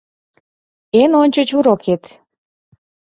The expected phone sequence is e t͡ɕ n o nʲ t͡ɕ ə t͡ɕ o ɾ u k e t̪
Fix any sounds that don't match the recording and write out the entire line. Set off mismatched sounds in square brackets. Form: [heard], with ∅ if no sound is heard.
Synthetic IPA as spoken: e [∅] n o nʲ t͡ɕ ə t͡ɕ [u] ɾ [o] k e t̪